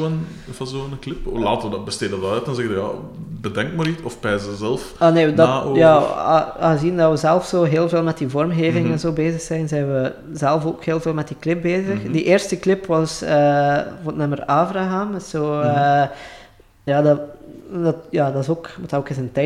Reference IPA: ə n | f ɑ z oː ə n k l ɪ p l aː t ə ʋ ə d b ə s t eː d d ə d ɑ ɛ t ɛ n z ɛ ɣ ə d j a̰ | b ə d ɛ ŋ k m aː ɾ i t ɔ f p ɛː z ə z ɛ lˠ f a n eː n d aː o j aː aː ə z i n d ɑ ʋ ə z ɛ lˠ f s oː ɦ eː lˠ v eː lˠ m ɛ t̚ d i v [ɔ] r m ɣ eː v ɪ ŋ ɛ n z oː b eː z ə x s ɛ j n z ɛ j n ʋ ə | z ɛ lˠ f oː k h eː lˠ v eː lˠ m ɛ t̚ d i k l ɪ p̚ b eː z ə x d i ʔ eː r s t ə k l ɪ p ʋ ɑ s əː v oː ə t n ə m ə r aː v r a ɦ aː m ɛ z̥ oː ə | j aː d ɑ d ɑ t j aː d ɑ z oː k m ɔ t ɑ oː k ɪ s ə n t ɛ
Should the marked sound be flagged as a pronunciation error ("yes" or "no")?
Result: no